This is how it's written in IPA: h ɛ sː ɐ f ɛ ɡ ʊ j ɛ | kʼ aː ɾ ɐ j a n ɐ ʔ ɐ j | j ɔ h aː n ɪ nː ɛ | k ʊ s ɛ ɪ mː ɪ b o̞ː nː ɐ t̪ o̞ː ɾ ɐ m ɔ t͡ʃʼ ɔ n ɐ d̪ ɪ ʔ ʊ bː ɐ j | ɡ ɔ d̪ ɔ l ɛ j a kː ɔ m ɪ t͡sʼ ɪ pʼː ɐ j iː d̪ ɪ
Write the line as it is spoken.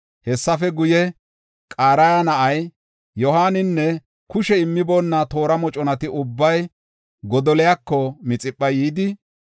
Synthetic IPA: h ɛ sː ɐ f ɛ ɡ ʊ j ɛ | kʼ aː ɾ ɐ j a n ɐ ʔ ɐ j | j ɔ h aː n ɪ nː ɛ | k ʊ ʃ ɛ ɪ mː ɪ b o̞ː nː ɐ t̪ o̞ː ɾ ɐ m ɔ t͡ʃʼ ɔ n ɐ t̪ ɪ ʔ ʊ bː ɐ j | ɡ ɔ d̪ ɔ l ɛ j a kː ɔ m ɪ t͡sʼ ɪ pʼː ɐ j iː d̪ ɪ